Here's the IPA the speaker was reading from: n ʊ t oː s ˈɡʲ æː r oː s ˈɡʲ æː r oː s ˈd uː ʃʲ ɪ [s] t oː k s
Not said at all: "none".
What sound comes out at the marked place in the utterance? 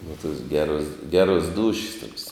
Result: s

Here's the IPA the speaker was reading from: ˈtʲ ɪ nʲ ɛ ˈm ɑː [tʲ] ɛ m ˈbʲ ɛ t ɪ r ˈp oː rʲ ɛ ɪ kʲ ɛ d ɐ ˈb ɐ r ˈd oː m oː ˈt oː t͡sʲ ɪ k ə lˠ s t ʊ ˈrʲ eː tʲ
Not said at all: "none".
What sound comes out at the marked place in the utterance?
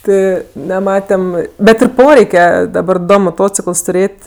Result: tʲ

